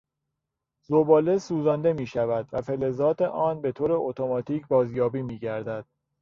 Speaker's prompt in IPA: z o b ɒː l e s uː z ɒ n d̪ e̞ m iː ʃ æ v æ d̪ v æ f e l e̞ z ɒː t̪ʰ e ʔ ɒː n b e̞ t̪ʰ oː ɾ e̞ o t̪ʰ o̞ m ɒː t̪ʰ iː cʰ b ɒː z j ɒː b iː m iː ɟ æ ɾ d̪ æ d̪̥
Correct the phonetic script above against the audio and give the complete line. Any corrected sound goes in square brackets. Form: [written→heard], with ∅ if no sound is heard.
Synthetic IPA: z o b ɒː l e s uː z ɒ n d̪ e̞ m iː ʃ æ v æ d̪ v æ f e l e̞ z ɒː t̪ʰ e ʔ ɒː n b e̞ t̪ʰ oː ɾ e̞ o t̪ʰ o̞ m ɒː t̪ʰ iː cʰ b ɒː z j ɒː b iː m iː ɟ æ ɾ d̪ æ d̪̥